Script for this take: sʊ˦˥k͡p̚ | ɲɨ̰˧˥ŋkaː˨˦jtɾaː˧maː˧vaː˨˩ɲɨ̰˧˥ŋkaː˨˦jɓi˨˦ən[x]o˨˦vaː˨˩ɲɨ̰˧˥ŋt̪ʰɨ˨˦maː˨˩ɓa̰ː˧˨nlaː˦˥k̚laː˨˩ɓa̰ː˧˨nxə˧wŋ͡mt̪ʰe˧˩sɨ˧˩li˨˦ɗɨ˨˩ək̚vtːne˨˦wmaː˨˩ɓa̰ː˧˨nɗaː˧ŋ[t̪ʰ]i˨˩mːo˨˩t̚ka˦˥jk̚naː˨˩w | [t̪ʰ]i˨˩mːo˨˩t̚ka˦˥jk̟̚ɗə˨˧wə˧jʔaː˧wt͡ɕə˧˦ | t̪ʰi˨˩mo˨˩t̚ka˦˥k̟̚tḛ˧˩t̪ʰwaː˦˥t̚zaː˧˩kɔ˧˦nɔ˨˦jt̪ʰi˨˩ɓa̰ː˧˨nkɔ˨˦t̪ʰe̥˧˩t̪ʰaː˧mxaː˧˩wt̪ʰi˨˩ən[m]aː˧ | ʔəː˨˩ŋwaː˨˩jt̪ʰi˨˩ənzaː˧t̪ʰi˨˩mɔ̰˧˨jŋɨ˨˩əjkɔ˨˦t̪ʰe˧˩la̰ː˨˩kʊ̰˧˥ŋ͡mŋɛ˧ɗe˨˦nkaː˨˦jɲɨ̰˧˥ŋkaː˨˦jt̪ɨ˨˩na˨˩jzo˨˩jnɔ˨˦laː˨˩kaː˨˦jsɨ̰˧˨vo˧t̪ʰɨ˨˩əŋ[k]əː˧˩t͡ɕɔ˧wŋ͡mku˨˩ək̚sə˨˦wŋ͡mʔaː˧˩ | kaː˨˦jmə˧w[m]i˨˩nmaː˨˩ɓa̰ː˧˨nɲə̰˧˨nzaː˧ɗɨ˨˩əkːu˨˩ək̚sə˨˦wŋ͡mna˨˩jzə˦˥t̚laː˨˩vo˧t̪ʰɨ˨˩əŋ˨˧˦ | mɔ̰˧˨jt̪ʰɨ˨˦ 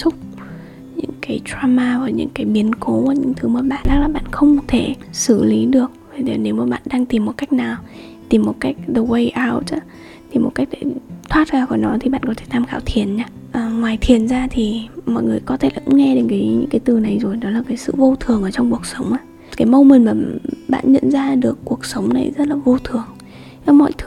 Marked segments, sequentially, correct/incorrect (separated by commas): incorrect, incorrect, incorrect, incorrect, incorrect, correct